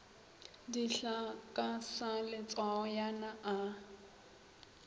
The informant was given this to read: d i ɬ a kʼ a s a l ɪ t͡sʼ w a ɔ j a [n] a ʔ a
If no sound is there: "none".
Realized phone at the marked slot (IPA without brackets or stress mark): n